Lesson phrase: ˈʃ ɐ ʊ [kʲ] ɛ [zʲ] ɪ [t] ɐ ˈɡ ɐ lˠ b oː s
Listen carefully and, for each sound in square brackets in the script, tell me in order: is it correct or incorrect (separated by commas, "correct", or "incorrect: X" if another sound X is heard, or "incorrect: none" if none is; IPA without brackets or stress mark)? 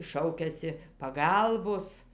correct, incorrect: sʲ, incorrect: p